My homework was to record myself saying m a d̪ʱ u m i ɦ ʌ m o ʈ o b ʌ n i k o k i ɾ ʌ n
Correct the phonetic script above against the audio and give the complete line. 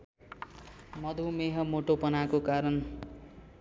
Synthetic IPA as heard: m ʌ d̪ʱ u m e ɦ ʌ m o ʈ o p ʌ n a k o k a ɾ ʌ n